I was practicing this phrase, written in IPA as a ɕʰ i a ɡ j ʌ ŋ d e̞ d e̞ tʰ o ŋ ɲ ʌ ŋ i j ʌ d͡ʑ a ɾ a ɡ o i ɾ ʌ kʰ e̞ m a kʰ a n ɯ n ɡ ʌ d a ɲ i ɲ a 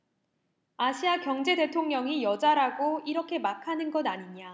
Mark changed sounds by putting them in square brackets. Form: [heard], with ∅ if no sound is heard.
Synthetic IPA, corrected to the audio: a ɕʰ i a [k] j ʌ ŋ [d͡ʑ] e̞ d e̞ tʰ o ŋ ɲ ʌ ŋ i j ʌ d͡ʑ a ɾ a ɡ o i ɾ ʌ kʰ e̞ m a kʰ a n ɯ n ɡ ʌ d a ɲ i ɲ a